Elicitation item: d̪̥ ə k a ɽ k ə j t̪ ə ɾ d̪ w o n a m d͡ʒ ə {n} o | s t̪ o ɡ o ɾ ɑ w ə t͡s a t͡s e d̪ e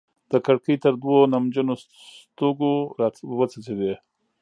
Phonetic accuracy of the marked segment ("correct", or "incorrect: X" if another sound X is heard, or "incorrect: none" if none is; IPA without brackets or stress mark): correct